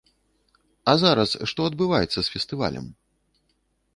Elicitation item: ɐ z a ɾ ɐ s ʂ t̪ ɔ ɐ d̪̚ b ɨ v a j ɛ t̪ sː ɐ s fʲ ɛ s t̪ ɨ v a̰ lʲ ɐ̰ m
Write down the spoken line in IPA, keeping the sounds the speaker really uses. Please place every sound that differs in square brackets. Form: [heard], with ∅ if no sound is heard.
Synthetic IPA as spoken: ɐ z a ɾ ɐ s ʂ t̪ ɔ ɐ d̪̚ b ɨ v a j ɛ t̪ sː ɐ s fʲ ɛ s t̪ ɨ v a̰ lʲ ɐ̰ m